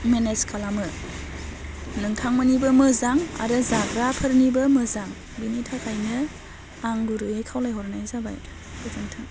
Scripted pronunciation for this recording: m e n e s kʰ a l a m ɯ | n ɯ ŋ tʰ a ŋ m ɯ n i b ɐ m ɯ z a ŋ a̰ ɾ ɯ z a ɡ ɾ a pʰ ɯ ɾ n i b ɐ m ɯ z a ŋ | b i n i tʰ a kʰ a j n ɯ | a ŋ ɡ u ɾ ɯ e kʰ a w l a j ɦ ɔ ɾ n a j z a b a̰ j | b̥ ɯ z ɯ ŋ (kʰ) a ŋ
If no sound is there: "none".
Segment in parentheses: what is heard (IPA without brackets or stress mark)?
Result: tʰ